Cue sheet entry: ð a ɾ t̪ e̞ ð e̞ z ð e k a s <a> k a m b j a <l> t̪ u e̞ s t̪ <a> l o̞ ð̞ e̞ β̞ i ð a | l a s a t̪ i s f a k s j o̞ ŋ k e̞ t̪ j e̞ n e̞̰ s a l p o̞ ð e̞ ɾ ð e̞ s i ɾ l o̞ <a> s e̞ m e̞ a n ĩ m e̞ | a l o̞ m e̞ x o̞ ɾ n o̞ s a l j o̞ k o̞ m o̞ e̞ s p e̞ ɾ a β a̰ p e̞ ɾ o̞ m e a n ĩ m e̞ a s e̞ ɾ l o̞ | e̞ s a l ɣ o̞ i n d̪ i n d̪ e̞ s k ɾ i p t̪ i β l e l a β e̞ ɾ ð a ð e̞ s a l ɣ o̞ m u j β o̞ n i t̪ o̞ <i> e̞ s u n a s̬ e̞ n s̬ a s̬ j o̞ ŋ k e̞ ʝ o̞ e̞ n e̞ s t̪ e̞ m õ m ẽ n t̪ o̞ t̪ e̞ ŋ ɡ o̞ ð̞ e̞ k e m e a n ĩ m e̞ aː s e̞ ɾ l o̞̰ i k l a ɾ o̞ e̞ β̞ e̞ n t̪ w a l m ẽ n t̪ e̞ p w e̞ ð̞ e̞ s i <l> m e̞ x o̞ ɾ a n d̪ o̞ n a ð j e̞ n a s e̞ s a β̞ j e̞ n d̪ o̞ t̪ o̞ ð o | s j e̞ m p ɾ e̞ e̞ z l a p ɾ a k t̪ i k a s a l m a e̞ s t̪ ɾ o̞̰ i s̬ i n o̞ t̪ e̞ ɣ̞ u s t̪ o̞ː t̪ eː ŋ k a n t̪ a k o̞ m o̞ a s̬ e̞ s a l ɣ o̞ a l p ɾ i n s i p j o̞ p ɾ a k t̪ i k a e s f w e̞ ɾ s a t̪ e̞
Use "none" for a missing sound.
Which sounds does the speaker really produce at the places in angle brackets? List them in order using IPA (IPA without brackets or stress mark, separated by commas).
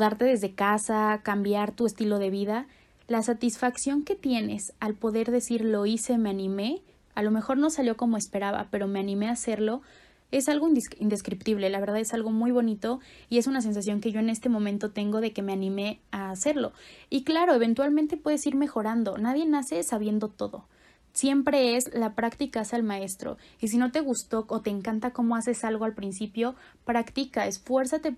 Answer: a, ɾ, i, i, i, ɾ